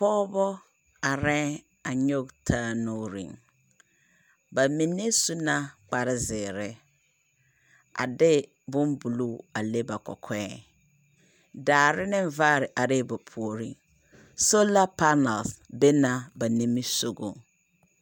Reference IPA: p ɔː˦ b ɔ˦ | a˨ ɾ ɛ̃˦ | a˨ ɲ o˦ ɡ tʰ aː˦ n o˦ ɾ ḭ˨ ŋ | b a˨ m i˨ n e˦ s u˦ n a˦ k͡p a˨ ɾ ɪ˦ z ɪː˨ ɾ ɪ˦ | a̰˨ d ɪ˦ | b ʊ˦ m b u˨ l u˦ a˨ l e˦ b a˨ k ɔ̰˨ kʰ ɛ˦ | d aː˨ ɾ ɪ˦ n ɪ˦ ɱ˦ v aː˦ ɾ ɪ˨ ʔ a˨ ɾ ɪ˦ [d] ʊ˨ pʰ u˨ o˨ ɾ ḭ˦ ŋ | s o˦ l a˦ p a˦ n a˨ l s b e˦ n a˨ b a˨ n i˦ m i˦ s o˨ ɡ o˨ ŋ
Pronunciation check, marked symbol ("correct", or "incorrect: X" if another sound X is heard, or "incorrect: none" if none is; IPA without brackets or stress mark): incorrect: b